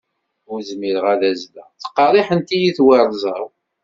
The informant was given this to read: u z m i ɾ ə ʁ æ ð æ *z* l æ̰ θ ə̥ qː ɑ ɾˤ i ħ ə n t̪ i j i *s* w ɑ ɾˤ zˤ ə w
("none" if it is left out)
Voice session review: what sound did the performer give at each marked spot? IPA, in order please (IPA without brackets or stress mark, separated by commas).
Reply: z, θ